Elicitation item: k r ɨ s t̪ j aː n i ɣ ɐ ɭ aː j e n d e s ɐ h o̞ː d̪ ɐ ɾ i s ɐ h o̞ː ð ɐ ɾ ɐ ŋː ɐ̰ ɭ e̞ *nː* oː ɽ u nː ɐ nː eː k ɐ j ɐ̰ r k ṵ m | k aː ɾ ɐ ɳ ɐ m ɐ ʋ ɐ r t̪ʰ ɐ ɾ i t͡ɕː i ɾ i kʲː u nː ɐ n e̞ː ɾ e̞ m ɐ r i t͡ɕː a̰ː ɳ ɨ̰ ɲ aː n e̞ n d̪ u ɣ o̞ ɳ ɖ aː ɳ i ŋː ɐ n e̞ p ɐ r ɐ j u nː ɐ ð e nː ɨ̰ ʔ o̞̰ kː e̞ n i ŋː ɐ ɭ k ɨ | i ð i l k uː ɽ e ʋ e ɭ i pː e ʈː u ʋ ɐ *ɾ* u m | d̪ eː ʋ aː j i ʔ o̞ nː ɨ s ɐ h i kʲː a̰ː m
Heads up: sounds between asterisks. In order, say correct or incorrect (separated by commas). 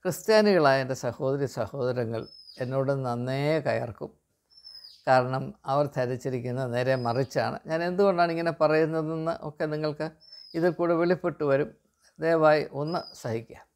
correct, correct